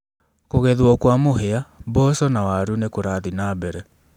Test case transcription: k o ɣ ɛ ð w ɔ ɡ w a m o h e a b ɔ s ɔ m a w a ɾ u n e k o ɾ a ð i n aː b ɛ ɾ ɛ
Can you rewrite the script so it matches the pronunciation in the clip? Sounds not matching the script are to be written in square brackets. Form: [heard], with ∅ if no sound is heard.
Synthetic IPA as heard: k o ɣ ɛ ð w ɔ [k] w a m o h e a b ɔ s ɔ [n] a w a ɾ u n e k o ɾ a ð i n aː b ɛ ɾ ɛ